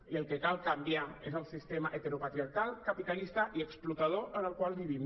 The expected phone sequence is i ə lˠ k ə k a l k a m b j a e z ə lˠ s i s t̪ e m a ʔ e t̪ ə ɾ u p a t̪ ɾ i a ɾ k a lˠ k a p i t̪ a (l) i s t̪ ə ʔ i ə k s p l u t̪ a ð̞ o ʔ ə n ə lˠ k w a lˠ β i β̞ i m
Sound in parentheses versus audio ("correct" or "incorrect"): correct